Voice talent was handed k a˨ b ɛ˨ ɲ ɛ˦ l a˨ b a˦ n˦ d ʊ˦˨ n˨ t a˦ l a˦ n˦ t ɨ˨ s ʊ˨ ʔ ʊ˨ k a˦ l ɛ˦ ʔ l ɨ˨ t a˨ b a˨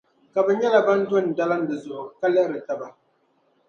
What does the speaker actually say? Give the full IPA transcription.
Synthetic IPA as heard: k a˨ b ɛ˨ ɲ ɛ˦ l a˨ b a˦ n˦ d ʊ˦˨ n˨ d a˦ l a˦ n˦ d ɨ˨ z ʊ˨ ʔ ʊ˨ k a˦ l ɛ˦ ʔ ɾ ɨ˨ t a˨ b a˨

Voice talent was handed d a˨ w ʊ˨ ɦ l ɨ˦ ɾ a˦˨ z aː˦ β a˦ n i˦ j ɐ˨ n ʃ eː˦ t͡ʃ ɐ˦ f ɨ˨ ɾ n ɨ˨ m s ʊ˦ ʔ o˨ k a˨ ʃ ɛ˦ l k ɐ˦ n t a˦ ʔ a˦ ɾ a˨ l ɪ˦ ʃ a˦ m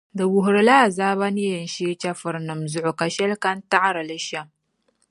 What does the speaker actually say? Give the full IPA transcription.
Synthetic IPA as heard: d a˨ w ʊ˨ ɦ ɾ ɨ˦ l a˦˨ z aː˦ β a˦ n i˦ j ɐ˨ n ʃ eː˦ t͡ʃ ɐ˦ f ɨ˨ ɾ n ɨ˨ m z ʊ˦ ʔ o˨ k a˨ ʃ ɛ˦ l k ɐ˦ n t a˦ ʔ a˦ ɾ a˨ l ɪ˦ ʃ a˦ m

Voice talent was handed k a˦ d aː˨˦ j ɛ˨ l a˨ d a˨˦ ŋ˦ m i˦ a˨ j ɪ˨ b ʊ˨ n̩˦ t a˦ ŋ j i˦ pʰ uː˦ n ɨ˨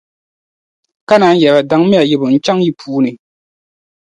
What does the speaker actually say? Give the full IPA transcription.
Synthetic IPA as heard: k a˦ n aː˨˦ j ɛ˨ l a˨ d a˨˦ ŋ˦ m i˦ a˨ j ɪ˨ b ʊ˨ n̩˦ t͡ʃ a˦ ŋ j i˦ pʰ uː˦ n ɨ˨

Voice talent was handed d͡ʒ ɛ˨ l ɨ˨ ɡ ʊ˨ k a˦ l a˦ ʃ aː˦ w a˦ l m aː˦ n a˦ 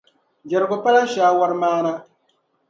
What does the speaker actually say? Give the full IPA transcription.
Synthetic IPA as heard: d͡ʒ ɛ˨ ɾ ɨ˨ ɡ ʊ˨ p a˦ l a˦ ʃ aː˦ w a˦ ɾ m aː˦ n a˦

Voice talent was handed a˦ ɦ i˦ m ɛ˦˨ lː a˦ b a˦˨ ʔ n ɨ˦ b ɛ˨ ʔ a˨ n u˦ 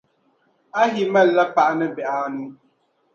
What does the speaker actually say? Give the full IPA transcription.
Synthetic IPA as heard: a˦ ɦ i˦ m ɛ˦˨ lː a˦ p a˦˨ ʔ n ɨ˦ b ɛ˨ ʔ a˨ n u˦

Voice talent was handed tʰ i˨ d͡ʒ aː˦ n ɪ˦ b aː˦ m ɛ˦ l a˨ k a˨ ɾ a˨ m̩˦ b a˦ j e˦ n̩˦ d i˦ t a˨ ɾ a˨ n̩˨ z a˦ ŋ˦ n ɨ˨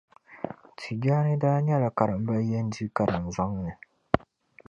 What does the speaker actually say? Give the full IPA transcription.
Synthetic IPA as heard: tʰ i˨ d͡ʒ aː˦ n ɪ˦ d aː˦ ɲ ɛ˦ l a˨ k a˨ ɾ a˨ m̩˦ b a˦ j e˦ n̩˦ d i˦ k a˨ ɾ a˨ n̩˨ z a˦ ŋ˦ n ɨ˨

